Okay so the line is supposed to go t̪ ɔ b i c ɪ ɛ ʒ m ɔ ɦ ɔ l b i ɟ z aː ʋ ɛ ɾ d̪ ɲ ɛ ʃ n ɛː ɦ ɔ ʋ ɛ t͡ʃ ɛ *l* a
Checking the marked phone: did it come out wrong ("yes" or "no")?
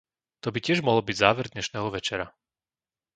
yes